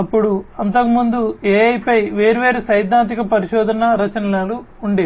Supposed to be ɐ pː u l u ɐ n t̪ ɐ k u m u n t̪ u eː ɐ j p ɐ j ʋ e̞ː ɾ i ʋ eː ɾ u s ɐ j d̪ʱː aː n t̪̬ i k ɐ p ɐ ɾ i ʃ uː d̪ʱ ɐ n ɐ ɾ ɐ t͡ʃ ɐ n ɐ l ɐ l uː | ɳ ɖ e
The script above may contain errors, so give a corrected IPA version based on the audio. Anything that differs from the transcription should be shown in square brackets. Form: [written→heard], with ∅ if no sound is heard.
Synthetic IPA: ɐ pː u [l→ɽ] u ɐ n t̪ ɐ k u m u n [t̪→d̪] u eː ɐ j p ɐ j ʋ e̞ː ɾ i ʋ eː ɾ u s ɐ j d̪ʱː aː n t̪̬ i k ɐ p ɐ ɾ i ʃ [uː→ɔː] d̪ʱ ɐ n ɐ ɾ ɐ t͡ʃ ɐ n ɐ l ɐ l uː | ɳ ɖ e